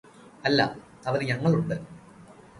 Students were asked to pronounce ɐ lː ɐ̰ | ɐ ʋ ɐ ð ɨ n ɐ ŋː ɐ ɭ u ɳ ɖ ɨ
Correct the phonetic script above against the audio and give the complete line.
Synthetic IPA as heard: ɐ lː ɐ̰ | ɐ ʋ ɐ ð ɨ ɲ ɐ ŋː ɐ ɭ u ɳ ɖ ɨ